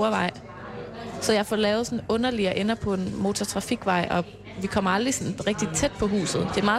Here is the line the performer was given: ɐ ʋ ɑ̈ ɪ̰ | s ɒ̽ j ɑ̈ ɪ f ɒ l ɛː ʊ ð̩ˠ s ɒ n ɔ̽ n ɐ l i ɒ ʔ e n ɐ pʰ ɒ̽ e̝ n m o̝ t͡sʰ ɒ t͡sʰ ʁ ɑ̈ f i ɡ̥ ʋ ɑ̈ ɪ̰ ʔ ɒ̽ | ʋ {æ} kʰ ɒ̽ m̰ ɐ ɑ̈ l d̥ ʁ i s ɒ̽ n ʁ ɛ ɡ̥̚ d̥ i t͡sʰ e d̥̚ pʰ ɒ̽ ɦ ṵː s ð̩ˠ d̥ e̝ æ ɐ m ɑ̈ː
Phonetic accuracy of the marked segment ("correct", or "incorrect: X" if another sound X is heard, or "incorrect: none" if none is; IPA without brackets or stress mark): incorrect: i